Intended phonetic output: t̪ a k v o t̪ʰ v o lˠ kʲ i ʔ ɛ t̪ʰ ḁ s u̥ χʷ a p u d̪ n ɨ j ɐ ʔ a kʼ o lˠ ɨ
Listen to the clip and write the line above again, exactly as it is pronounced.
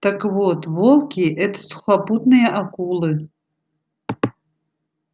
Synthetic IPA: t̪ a k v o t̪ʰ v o lˠ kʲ i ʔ ɛ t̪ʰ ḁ s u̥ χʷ a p u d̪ n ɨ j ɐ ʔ a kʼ u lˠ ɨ